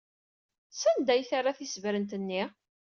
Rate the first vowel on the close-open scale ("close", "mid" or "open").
open